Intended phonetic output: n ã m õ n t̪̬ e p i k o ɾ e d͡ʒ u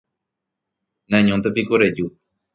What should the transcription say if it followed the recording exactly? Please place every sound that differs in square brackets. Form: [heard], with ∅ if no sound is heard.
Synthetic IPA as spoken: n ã [ɲ] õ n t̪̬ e p i k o ɾ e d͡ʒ u